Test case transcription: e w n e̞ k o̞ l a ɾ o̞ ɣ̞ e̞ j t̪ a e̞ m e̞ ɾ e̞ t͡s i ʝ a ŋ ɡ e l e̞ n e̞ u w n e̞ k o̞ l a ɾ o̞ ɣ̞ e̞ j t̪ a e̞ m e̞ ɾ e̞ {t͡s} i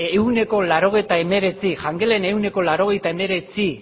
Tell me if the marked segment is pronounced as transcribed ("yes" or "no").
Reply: yes